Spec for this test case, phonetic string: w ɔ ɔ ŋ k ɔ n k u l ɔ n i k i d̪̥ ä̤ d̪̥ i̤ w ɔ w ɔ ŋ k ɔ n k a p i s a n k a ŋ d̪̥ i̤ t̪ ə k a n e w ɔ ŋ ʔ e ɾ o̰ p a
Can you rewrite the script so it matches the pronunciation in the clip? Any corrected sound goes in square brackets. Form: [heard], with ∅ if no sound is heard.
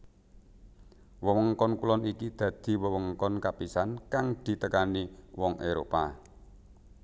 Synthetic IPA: w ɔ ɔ ŋ k ɔ n k u l ɔ n i k i d̪̥ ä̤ d̪̥ i̤ w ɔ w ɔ ŋ k ɔ n k a p i s a n k a ŋ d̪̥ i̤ t̪ ə k a n [i] w ɔ ŋ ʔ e ɾ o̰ p a